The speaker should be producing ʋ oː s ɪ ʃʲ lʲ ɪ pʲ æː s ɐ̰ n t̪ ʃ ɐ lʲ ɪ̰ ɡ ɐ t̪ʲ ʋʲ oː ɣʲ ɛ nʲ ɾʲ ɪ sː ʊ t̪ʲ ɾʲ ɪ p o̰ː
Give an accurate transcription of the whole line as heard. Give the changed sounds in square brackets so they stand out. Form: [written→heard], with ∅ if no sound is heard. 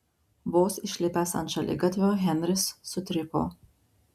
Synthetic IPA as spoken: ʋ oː s ɪ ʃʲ lʲ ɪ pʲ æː s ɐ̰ n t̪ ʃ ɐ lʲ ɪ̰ ɡ ɐ t̪ʲ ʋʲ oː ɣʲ ɛ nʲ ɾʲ ɪ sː ʊ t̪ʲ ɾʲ ɪ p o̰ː